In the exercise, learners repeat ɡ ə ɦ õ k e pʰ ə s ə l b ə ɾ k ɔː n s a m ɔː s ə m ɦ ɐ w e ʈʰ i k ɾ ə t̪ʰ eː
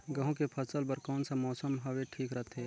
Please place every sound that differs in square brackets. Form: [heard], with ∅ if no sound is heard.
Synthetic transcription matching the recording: ɡ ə ɦ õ k e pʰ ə s ə l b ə ɾ k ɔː n s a m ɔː s ə m ɦ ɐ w e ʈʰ [iː] k ɾ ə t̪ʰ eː

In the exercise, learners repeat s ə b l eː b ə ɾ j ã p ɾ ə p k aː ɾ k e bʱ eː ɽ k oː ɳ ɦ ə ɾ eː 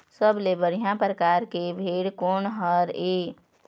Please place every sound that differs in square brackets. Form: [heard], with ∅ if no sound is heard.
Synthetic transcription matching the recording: s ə b l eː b ə ɾ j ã p ɾ ə [∅] k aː ɾ k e bʱ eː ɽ k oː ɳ ɦ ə ɾ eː

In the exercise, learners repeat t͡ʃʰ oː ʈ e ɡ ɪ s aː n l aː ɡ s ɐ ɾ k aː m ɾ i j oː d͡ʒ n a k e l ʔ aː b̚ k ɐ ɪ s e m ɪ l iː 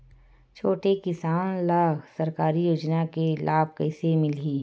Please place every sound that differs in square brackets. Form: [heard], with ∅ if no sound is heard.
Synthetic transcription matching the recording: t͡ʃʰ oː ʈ e [k] ɪ s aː n l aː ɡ s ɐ ɾ k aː [∅] ɾ i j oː d͡ʒ n a k e l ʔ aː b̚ k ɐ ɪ s e m ɪ l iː

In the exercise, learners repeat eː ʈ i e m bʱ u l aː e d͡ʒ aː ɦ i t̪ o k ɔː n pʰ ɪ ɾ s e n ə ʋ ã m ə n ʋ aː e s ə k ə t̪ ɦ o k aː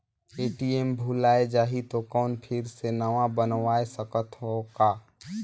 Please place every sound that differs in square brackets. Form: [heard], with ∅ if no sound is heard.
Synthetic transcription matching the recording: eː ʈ i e m bʱ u l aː e d͡ʒ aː ɦ i t̪ o k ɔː n pʰ ɪ ɾ s e n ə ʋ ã [b] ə n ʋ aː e s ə k ə t̪ ɦ o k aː

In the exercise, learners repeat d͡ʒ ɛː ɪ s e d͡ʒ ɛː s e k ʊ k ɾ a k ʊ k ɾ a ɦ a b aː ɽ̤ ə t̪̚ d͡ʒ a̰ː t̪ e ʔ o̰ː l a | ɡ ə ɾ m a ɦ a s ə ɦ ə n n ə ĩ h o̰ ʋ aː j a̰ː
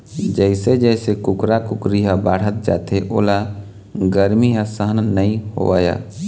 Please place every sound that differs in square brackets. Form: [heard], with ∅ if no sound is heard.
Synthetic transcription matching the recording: d͡ʒ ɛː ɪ s e d͡ʒ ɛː s e k ʊ k ɾ a k ʊ k ɾ [i] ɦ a b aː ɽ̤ ə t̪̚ d͡ʒ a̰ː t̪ e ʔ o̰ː l a | ɡ ə ɾ m [i] ɦ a s ə ɦ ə n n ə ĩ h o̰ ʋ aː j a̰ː

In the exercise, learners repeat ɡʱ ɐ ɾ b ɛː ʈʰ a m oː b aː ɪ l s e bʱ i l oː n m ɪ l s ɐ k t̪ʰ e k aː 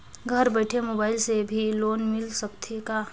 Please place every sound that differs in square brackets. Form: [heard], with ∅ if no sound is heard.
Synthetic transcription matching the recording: ɡʱ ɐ ɾ b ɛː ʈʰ [e] m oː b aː ɪ l s e bʱ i l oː n m ɪ l s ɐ k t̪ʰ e k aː

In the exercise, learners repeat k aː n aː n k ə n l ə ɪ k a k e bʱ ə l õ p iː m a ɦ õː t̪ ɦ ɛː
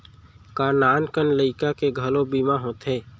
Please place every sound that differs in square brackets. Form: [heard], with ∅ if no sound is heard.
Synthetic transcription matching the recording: k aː n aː n k ə n l ə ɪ k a k e [ɡʱ] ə l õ [b] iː m a ɦ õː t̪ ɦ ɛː

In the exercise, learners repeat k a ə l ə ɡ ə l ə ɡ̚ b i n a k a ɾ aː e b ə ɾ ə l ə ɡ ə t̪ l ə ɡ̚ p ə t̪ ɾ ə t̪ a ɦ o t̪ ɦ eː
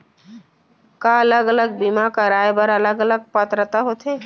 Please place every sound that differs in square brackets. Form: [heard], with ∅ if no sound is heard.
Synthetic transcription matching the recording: k a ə l ə ɡ ə l ə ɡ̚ b i [m] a k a ɾ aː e b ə ɾ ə l ə ɡ ə [∅] l ə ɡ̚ p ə t̪ ɾ ə t̪ a ɦ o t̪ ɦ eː

